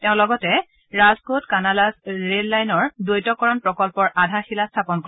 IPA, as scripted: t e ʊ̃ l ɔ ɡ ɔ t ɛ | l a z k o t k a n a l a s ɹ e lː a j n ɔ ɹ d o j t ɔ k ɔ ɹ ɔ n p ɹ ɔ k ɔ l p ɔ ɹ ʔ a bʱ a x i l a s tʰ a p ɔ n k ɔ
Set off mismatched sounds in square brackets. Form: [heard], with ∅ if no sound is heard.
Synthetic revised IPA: t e ʊ̃ l ɔ ɡ ɔ t ɛ | [ɹ] a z k o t k a n a l a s ɹ e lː a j n ɔ ɹ d o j t ɔ k ɔ ɹ ɔ n p ɹ ɔ k ɔ l p ɔ ɹ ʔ a [dʱ] a x i l a s tʰ a p ɔ n k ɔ